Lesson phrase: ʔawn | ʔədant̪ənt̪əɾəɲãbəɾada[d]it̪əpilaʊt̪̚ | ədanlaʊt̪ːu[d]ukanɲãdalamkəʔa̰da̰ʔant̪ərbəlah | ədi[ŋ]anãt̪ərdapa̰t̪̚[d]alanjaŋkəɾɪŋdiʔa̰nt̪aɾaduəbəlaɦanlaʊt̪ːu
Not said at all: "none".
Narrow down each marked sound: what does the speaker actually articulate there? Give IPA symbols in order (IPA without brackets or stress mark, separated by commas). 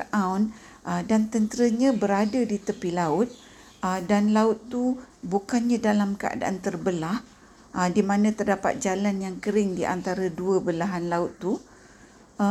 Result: d, b, m, d͡ʒ